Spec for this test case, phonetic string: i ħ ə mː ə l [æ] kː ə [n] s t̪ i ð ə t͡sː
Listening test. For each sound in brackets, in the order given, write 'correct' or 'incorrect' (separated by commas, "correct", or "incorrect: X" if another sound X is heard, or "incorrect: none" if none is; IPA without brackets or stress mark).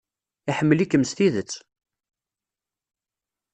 incorrect: i, incorrect: m